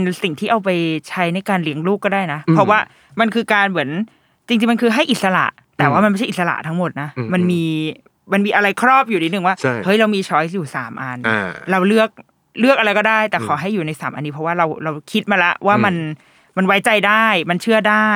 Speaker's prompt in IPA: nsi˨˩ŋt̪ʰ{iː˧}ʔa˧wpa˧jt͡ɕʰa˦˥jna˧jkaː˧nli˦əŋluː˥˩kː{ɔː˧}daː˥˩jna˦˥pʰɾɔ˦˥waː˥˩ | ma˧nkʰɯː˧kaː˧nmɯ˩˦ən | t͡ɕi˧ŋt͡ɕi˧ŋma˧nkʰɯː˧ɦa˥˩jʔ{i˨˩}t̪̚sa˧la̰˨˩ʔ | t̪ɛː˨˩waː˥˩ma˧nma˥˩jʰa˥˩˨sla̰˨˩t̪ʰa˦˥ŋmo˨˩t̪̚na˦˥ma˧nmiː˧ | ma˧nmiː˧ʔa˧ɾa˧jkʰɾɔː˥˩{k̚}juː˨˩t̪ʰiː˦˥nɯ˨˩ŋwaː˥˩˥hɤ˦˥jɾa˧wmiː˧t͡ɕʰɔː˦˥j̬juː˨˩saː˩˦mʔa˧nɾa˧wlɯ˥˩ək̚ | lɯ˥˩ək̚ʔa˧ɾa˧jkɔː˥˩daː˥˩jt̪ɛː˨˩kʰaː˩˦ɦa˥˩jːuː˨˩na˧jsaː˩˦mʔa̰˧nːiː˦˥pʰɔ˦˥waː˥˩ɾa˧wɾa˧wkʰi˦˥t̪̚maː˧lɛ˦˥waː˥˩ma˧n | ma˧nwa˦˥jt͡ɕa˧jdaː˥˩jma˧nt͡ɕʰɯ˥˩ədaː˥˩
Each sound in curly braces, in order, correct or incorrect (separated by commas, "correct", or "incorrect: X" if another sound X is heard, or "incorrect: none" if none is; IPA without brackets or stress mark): incorrect: iː˥˩, incorrect: ɔː˥˩, correct, incorrect: p̚